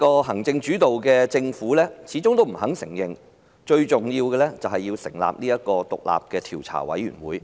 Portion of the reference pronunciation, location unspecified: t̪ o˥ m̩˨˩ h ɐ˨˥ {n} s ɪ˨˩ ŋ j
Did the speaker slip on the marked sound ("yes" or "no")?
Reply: yes